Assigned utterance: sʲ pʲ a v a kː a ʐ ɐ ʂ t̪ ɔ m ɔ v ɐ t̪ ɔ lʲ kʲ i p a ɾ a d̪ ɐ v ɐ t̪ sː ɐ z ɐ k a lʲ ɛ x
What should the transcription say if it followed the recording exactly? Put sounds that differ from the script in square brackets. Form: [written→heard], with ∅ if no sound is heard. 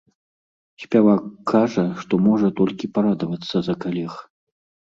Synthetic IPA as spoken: sʲ pʲ a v a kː a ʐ ɐ ʂ t̪ ɔ m ɔ [v→ʐ] ɐ t̪ ɔ lʲ kʲ i p a ɾ a d̪ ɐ v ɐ t̪ sː ɐ z ɐ k a lʲ ɛ x